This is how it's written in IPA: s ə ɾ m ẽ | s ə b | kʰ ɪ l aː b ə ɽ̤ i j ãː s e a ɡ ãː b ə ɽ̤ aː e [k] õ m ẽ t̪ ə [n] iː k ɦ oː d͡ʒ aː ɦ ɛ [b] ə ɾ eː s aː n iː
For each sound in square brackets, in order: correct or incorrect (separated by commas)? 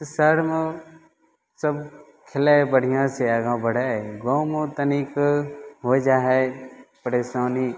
incorrect, correct, incorrect